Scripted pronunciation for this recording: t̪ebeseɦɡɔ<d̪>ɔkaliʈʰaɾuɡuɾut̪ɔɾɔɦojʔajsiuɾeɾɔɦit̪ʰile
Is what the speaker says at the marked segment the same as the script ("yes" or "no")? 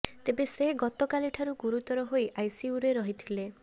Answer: no